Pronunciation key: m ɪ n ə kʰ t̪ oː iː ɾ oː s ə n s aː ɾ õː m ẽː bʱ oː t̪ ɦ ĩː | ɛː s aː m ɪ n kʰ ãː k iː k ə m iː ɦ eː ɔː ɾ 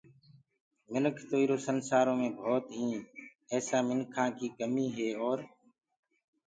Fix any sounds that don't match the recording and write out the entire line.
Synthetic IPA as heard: m ɪ n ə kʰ t̪ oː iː ɾ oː s ə n s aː ɾ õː m ẽː bʱ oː t̪ ɦ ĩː | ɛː s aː m ɪ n kʰ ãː k iː k ə m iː ɦ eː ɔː ɾ